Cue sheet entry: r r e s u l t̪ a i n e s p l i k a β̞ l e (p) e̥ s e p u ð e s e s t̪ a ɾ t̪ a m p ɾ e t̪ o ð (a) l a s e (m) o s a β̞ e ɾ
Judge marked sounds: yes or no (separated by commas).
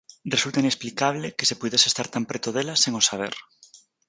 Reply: no, no, no